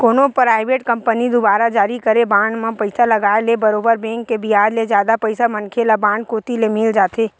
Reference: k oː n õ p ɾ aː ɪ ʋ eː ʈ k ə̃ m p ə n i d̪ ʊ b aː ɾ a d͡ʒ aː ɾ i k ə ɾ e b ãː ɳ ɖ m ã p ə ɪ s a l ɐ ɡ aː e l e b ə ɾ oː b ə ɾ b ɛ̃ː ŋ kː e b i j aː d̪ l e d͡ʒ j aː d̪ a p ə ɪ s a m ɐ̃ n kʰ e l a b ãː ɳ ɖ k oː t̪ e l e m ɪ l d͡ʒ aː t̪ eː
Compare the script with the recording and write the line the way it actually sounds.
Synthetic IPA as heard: k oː n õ p ɾ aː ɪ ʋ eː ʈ k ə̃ m p ə n i d̪ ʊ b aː ɾ a d͡ʒ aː ɾ i k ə ɾ e b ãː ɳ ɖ m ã p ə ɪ s a l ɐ ɡ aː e l e b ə ɾ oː b ə ɾ b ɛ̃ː ŋ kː e b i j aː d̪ l e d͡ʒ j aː d̪ a p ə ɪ s a m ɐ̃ n kʰ e l a b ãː ɳ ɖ k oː t̪ i l e m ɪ l d͡ʒ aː t̪ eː